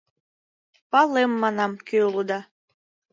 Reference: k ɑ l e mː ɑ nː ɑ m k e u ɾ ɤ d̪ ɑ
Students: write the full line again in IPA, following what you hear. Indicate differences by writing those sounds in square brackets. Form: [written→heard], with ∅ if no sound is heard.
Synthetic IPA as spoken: [k→p] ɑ l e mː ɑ [nː→n] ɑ m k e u [ɾ→l] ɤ d̪ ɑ